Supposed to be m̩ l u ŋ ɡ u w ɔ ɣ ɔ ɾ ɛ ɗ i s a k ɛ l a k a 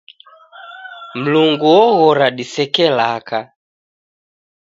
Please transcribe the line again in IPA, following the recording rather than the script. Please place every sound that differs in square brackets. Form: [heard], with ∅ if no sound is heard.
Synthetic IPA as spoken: m̩ l u ŋ ɡ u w ɔ ɣ ɔ ɾ [a] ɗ i s [ɛ] k ɛ l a k a